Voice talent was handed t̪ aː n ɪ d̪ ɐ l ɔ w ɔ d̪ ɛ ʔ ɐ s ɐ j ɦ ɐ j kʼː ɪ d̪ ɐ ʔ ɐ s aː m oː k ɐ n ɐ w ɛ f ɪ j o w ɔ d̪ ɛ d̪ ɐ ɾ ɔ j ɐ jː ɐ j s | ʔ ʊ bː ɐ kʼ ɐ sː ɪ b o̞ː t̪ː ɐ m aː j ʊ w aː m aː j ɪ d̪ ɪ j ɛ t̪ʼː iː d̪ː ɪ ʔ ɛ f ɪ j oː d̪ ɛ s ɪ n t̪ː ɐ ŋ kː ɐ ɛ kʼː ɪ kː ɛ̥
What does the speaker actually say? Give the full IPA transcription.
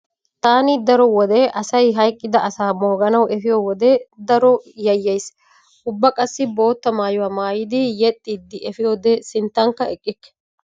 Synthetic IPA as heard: t̪ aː n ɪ d̪ ɐ ɾ ɔ w ɔ d̪ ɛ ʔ ɐ s ɐ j ɦ ɐ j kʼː ɪ d̪ ɐ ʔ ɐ s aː m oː ɡ ɐ n ɐ w ɛ f ɪ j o w ɔ d̪ ɛ d̪ ɐ ɾ ɔ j ɐ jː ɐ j s | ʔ ʊ bː ɐ kʼ ɐ sː ɪ b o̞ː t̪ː ɐ m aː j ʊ w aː m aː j ɪ d̪ ɪ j ɛ t̪ʼː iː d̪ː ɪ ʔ ɛ f ɪ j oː d̪ ɛ s ɪ n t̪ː ɐ ŋ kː ɐ ɛ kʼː ɪ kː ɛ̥